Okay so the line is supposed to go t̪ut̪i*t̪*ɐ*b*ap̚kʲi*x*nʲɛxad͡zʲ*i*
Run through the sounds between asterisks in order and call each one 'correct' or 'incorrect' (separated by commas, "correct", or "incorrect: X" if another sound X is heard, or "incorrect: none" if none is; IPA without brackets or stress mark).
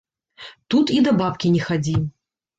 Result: incorrect: d̪, correct, incorrect: none, correct